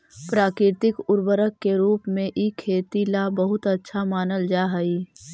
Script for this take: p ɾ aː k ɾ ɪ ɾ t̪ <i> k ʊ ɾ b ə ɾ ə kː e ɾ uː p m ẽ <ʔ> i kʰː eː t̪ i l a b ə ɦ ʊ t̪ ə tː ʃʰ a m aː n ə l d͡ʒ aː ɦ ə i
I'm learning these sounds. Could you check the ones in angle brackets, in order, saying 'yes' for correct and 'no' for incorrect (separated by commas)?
no, yes